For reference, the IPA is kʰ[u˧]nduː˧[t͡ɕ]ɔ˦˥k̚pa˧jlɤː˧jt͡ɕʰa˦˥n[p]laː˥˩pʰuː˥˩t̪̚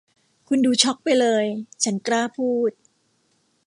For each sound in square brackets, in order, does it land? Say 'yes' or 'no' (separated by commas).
yes, no, no